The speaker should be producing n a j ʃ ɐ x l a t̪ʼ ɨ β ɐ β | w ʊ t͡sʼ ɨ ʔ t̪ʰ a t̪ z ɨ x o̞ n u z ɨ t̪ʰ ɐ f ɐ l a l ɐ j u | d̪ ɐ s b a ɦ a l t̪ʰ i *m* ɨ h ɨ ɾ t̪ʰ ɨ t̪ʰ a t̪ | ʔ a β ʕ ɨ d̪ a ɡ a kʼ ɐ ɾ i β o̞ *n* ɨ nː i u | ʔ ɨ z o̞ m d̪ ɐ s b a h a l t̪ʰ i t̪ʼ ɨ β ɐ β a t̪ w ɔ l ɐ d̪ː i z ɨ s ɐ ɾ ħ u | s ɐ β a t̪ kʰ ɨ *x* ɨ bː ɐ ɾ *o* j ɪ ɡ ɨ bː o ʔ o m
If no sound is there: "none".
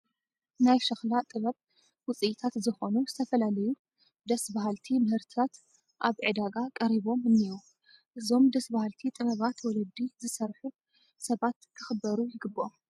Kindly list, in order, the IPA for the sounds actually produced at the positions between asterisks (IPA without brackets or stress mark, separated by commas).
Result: m, m, x, u